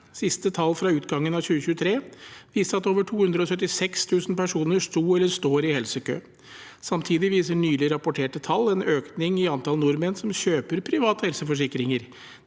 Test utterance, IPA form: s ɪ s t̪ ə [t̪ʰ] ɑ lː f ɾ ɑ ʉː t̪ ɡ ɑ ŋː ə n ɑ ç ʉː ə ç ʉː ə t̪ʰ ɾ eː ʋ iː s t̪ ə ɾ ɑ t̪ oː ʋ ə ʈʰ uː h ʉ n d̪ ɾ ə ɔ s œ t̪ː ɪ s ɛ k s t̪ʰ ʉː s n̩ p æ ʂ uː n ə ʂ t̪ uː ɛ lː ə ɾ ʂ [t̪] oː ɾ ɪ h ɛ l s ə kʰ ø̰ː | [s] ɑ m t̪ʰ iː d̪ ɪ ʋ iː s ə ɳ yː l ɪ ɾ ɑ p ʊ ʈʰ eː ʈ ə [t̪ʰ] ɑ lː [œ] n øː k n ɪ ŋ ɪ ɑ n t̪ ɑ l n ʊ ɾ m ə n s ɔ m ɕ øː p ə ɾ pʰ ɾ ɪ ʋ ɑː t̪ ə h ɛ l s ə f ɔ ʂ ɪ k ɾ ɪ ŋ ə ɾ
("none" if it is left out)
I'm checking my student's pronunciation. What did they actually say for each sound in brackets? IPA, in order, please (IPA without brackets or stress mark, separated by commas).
t̪ʰ, t̪, s, t̪ʰ, ɛ